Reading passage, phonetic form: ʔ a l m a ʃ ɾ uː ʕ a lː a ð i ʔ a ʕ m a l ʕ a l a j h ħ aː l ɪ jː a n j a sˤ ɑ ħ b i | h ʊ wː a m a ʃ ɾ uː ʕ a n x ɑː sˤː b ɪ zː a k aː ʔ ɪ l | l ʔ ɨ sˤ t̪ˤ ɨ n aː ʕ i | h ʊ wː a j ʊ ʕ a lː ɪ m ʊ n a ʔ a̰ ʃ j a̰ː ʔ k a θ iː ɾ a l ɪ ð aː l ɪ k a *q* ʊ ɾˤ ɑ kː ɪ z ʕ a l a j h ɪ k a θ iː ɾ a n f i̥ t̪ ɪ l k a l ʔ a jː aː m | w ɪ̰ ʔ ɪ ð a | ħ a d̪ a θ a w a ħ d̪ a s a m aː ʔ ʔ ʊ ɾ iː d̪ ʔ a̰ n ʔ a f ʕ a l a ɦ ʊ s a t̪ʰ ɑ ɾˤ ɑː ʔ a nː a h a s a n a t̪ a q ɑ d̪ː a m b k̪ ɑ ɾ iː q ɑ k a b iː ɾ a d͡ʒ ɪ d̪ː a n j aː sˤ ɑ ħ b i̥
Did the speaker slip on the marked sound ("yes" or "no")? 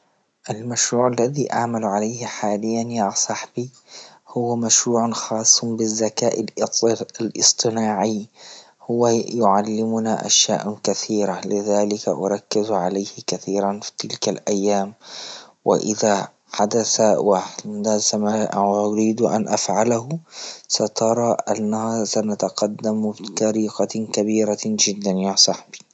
yes